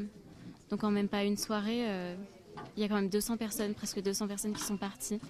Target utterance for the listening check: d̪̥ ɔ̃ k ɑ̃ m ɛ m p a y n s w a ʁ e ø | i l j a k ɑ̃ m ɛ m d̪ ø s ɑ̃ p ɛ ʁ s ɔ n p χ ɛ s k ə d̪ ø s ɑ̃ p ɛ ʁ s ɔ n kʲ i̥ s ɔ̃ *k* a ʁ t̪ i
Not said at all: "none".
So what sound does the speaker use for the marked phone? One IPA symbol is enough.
p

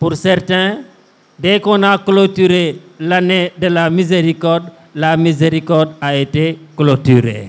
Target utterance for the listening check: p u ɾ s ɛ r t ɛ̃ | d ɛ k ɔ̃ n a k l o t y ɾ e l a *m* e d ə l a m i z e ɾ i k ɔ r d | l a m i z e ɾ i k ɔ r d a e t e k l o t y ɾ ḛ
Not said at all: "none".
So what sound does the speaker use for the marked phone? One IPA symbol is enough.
n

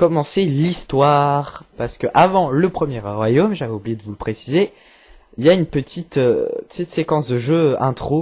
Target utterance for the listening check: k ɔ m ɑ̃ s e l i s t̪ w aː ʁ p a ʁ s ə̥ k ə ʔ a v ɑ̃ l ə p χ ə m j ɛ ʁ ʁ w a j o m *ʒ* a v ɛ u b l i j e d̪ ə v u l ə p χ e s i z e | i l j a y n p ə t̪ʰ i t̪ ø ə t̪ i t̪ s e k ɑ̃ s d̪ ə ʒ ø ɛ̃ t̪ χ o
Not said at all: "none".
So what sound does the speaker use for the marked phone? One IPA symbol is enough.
ʒ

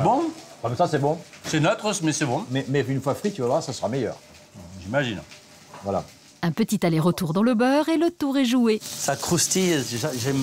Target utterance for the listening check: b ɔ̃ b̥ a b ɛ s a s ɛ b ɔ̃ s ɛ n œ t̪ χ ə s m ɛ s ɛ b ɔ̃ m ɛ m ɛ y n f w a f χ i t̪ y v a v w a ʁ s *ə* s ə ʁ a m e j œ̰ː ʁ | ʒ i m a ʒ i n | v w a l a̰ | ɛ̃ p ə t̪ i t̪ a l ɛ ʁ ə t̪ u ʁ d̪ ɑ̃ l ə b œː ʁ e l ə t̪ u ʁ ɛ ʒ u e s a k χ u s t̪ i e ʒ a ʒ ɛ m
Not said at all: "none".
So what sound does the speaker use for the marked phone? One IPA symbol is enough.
a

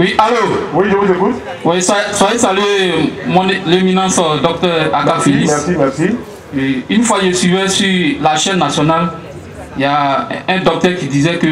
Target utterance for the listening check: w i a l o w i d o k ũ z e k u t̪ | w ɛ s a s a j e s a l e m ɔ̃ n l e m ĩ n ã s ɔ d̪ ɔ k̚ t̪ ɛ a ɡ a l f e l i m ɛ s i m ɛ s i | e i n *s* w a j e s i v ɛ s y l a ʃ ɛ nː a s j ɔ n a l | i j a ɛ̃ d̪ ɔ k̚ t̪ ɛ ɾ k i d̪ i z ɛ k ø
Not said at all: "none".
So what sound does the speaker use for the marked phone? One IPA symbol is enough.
f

